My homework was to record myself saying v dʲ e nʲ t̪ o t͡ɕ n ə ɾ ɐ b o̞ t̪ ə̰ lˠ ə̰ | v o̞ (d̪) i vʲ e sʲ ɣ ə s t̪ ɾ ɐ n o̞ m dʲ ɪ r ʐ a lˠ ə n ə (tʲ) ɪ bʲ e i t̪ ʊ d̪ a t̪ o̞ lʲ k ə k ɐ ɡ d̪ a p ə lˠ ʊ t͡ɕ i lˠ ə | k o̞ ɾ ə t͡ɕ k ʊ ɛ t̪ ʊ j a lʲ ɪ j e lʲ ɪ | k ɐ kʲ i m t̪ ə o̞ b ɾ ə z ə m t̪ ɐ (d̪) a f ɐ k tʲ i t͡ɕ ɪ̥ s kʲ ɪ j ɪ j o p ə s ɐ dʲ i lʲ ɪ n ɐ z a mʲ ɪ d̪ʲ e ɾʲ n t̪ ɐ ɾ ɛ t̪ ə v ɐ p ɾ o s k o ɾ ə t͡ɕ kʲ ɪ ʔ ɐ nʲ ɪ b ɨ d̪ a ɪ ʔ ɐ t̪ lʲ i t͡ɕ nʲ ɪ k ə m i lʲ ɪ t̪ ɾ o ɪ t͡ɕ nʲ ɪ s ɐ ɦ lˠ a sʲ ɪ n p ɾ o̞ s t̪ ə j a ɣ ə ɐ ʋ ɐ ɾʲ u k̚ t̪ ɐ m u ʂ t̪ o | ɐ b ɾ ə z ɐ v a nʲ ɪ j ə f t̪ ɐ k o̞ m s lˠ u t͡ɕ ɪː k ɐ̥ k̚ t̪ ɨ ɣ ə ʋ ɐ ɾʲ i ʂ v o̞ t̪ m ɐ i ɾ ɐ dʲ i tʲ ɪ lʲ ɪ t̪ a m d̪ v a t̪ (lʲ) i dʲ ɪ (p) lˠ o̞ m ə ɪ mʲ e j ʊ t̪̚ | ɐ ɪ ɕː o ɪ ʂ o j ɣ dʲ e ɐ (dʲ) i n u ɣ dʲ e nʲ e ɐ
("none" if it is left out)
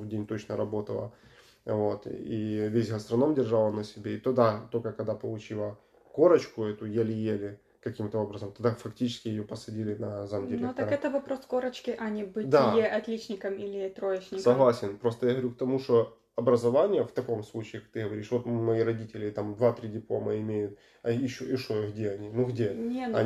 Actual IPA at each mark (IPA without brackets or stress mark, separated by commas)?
t̪, sʲ, d̪, ɾʲ, p, nʲ